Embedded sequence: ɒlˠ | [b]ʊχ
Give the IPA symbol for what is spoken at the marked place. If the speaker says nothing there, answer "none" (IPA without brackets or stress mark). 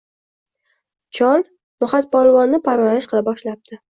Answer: m